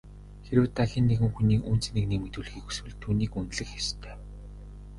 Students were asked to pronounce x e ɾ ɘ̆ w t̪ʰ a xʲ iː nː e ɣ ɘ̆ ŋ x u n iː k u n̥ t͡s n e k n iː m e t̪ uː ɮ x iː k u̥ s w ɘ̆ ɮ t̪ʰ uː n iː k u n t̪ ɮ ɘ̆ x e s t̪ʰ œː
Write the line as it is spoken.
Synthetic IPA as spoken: x e ɾ ɘ̆ w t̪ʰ a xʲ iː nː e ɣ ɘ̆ ŋ x u n iː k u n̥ t͡s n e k n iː m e t̪ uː ɮ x iː k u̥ s w ɘ̆ ɮ t̪ʰ uː n iː k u n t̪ ɮ ɘ̆ x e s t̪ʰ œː